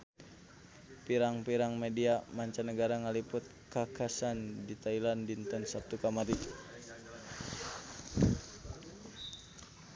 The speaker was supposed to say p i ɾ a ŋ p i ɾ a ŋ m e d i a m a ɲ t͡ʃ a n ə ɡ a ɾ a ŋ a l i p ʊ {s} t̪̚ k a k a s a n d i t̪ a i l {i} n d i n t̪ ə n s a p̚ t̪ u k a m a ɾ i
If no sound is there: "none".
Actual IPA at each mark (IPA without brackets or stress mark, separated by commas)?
none, a